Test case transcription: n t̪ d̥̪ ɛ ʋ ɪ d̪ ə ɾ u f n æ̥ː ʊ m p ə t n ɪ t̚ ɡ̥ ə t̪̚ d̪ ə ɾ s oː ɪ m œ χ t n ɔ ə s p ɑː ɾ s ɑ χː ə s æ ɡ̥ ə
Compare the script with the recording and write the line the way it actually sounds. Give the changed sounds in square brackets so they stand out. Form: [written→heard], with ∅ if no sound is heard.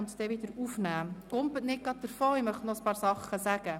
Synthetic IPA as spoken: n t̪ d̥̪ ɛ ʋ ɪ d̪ ə ɾ u f n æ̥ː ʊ m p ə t n ɪ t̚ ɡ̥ [ə→ɑ] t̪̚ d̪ ə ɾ [s→f] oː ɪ m œ χ t n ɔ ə s p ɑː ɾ s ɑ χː ə s æ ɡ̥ ə